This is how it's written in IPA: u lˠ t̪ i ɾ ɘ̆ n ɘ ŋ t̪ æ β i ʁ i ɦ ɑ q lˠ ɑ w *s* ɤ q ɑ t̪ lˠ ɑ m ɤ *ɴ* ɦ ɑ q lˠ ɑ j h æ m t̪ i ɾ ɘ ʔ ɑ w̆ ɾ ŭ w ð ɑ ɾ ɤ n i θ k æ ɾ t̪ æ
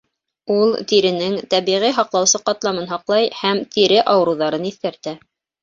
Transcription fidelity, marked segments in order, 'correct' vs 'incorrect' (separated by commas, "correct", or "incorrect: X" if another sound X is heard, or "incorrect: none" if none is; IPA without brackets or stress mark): correct, incorrect: n